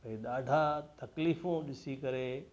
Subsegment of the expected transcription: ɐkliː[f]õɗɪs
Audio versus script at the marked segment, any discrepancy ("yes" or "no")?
no